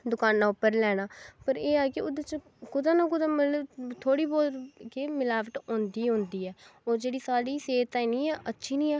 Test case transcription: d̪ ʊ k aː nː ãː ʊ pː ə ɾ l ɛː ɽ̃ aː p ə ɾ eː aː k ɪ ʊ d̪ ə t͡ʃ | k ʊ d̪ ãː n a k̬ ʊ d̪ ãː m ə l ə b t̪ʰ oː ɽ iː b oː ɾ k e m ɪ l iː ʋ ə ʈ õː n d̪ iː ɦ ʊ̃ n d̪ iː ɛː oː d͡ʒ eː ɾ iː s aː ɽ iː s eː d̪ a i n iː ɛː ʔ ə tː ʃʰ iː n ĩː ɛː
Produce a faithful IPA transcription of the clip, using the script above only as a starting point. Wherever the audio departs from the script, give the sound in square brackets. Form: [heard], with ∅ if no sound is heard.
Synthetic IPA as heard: d̪ ʊ k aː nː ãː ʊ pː ə ɾ l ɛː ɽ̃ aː p ə ɾ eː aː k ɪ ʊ d̪ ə t͡ʃ | k ʊ d̪ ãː n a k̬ ʊ d̪ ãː m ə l ə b t̪ʰ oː ɽ iː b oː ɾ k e m ɪ l [aː] ʋ ə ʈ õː n d̪ iː ɦ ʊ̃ n d̪ iː ɛː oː d͡ʒ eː [ɽ] iː s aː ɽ iː s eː [t̪] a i n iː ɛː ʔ ə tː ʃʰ iː n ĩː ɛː

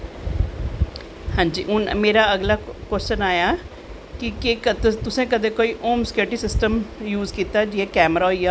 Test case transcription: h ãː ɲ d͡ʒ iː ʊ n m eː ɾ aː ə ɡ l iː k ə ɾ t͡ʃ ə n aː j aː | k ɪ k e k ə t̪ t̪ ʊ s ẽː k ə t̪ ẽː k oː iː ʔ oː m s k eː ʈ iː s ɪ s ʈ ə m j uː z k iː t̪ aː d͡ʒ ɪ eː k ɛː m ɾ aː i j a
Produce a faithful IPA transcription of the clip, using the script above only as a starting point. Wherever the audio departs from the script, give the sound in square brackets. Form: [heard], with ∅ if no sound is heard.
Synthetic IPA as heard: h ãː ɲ d͡ʒ iː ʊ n m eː ɾ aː ə ɡ l [aː] k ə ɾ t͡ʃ ə n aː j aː | k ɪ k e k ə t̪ t̪ ʊ s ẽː k ə [d̪] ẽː k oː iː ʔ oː m s k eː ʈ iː s ɪ s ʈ ə m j uː z k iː t̪ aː d͡ʒ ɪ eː k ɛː m ɾ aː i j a

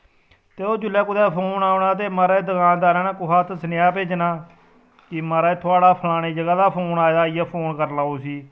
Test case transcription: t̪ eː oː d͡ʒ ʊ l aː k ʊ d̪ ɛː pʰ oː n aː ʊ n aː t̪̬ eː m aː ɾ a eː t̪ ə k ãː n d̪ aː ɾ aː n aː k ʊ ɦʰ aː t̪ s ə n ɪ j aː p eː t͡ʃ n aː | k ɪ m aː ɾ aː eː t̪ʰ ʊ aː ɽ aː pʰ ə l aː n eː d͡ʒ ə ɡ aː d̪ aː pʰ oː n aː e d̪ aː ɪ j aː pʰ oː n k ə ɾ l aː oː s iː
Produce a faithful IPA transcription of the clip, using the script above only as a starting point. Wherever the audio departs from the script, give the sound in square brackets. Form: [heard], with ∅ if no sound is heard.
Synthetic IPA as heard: t̪ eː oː d͡ʒ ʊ l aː k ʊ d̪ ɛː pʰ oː n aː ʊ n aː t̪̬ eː m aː ɾ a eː [d̪] ə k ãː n d̪ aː ɾ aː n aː k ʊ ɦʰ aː t̪ s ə n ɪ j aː p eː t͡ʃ n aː | k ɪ m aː ɾ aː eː t̪ʰ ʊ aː ɽ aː pʰ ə l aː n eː d͡ʒ ə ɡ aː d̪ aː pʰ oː n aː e d̪ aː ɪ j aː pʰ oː n k ə ɾ l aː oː s iː

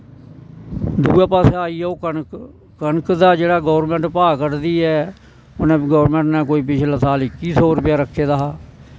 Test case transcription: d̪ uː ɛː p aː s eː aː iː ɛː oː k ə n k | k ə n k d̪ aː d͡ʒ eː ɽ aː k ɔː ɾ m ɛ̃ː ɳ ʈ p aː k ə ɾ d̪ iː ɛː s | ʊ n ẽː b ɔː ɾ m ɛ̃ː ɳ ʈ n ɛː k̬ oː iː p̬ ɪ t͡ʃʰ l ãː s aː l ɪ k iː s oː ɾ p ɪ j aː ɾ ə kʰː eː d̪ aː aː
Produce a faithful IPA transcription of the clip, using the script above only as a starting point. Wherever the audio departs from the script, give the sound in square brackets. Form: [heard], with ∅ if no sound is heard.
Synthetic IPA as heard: d̪ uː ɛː p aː s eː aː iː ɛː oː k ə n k | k ə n k d̪ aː d͡ʒ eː ɽ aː [ɡ] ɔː ɾ m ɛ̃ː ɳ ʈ p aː k ə ɾ d̪ iː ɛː [∅] | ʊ n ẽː [ɡ] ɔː ɾ m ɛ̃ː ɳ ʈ n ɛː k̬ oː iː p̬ ɪ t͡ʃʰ l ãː s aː l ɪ k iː s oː ɾ p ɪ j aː ɾ ə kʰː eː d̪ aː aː

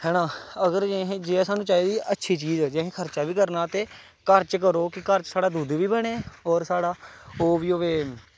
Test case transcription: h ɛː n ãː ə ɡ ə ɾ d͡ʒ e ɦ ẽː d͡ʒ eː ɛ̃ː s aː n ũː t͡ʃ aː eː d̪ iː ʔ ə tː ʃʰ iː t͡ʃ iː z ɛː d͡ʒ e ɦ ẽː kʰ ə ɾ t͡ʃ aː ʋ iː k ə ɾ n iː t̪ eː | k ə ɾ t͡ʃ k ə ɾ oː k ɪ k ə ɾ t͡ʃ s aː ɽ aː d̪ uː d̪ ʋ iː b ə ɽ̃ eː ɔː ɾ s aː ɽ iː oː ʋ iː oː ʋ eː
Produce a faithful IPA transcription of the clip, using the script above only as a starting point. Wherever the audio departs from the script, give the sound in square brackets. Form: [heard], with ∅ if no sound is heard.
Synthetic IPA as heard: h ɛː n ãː ə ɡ ə ɾ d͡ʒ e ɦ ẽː d͡ʒ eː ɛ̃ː s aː n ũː t͡ʃ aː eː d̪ iː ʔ ə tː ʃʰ iː t͡ʃ iː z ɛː d͡ʒ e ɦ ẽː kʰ ə ɾ t͡ʃ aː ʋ iː k ə ɾ n [aː] t̪ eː | k ə ɾ t͡ʃ k ə ɾ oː k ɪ k ə ɾ t͡ʃ s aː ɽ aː d̪ uː d̪ ʋ iː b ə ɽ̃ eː ɔː ɾ s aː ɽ [aː] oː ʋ iː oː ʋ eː

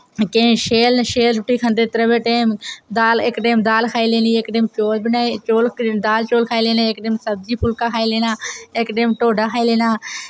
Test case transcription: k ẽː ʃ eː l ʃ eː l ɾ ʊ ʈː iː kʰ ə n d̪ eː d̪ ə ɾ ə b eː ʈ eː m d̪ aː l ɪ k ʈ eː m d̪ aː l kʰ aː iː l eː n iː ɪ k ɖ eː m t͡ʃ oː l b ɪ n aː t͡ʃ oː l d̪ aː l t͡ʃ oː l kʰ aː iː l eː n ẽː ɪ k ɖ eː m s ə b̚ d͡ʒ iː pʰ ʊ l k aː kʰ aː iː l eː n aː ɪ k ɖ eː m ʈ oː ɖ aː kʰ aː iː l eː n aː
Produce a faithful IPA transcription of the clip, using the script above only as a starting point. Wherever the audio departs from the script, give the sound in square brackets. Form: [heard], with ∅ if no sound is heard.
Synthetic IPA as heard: k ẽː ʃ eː l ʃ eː l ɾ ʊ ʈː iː kʰ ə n d̪ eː [t̪] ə ɾ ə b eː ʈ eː m d̪ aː l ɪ k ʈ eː m d̪ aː l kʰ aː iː l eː n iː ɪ k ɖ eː m t͡ʃ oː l b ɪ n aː t͡ʃ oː l d̪ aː l t͡ʃ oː l kʰ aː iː l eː n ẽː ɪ k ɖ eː m s ə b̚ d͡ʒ iː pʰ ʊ l k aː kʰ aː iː l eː n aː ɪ k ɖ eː m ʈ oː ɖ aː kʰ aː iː l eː n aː

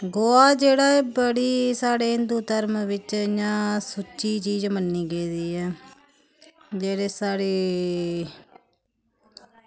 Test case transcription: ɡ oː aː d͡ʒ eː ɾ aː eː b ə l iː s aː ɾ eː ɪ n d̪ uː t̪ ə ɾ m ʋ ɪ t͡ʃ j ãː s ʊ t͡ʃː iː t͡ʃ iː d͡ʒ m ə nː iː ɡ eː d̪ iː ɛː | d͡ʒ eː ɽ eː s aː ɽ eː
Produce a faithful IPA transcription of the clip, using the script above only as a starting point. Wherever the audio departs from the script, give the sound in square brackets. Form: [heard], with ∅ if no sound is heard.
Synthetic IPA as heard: ɡ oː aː d͡ʒ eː [ɽ] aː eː b ə [ɽ] iː s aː [ɽ] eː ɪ n d̪ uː t̪ ə ɾ m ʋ ɪ t͡ʃ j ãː s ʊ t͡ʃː iː t͡ʃ iː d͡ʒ m ə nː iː ɡ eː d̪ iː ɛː | d͡ʒ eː ɽ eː s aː ɽ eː

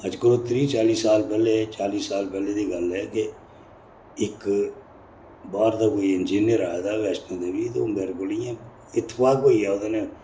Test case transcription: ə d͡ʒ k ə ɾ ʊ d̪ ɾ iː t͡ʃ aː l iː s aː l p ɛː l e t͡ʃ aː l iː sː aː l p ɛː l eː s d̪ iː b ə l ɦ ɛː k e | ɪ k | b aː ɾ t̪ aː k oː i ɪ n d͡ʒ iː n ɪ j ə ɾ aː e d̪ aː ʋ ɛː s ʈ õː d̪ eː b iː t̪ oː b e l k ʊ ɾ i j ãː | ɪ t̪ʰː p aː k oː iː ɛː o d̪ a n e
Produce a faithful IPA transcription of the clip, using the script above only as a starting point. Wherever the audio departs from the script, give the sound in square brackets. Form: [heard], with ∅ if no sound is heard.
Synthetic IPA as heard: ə d͡ʒ k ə ɾ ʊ [t̪] ɾ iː t͡ʃ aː l iː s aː l p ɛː l e t͡ʃ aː l iː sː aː l p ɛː l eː [∅] d̪ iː [ɡ] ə l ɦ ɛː k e | ɪ k | b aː ɾ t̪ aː k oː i ɪ n d͡ʒ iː n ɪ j ə ɾ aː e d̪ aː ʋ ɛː s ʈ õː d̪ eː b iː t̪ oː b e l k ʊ [l] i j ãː | ɪ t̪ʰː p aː k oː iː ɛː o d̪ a n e

